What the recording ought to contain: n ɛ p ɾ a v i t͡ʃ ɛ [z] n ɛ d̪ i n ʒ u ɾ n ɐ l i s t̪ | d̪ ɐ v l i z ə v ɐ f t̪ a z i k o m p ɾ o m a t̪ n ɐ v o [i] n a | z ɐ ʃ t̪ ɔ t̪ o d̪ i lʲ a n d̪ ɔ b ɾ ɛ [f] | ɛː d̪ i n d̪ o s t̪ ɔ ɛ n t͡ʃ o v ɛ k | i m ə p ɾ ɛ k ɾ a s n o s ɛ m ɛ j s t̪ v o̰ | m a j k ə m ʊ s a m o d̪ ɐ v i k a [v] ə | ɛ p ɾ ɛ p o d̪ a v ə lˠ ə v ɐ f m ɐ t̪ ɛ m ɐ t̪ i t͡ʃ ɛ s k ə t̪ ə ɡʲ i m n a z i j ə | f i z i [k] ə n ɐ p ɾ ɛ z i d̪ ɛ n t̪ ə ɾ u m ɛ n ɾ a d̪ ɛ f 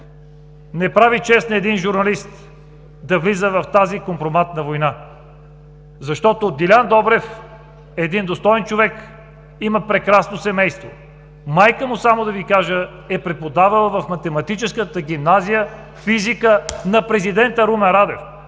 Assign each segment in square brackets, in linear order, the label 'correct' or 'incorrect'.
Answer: incorrect, incorrect, correct, incorrect, correct

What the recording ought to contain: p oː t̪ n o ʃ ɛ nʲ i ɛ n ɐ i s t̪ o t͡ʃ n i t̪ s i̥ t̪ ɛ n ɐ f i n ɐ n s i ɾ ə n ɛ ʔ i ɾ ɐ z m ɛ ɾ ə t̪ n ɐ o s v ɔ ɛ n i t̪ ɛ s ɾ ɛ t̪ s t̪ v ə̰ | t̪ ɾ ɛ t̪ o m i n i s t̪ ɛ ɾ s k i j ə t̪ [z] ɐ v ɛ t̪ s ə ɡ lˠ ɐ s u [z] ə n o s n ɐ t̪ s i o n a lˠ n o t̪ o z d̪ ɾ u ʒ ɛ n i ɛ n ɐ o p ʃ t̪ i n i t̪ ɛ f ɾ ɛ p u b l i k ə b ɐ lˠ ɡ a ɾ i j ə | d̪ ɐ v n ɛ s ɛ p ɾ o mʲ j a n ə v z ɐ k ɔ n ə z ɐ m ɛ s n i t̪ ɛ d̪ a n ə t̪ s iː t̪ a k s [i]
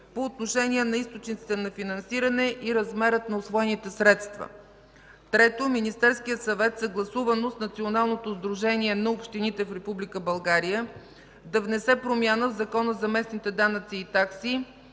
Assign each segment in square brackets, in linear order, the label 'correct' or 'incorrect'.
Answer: incorrect, incorrect, correct

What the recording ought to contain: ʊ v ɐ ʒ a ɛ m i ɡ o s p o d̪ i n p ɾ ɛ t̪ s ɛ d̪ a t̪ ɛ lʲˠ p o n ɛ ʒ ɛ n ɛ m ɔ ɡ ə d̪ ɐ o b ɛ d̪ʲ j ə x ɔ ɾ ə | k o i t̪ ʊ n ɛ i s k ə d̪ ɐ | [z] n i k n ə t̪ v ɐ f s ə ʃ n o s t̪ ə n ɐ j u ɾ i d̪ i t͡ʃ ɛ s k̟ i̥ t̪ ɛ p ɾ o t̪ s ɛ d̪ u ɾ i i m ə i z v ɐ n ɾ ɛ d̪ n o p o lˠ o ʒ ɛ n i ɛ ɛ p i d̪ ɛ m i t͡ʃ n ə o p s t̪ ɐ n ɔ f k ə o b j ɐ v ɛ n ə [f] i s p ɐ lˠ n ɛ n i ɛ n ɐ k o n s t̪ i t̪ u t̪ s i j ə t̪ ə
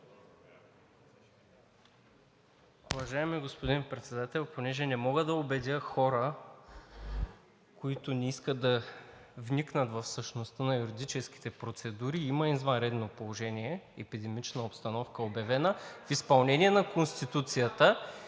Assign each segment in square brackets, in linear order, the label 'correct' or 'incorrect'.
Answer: incorrect, correct

